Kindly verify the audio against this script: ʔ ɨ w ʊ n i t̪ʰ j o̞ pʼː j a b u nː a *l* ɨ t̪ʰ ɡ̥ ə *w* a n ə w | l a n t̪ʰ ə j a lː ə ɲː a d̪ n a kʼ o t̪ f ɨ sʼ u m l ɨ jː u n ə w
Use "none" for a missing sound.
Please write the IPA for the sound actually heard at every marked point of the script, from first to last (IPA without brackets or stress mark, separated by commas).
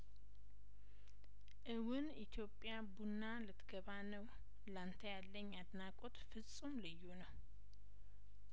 l, β